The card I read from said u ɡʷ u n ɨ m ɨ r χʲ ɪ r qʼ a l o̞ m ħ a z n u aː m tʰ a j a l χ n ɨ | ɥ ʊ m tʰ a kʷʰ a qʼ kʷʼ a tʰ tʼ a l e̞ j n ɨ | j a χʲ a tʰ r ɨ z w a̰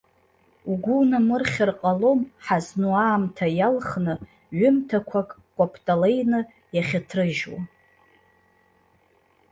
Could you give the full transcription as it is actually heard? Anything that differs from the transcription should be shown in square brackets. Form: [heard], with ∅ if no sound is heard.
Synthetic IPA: u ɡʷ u n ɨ m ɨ r χʲ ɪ r qʼ a l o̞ m ħ a z n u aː m tʰ a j a l χ n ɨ | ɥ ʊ m tʰ a kʷʰ a [kʼ] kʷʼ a [pʰ] tʼ a l e̞ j n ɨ | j a χʲ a tʰ r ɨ [ʒ] w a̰